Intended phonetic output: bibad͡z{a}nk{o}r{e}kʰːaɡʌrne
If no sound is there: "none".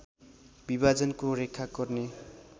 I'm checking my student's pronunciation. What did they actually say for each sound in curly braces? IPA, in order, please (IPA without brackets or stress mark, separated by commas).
ʌ, o, e